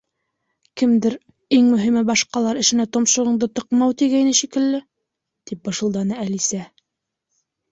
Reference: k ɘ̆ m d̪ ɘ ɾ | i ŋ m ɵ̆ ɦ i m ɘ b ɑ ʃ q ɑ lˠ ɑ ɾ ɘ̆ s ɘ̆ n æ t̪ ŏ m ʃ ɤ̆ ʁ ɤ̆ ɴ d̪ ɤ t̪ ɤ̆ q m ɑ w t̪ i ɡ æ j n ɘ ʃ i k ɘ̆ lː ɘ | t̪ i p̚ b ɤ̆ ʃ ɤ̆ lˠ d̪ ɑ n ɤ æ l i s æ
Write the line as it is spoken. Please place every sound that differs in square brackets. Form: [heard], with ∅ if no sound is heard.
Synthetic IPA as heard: k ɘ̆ m d̪ ɘ ɾ | i ŋ m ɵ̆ ɦ i m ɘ b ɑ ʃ q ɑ lˠ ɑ ɾ ɘ̆ [ʃ] ɘ̆ n æ t̪ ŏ m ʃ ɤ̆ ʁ ɤ̆ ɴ d̪ ɤ t̪ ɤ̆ q m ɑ w t̪ i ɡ æ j n ɘ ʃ i k ɘ̆ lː ɘ | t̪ i p̚ b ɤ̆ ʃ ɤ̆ lˠ d̪ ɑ n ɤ æ l i s æ